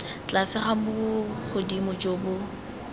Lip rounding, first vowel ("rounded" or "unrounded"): unrounded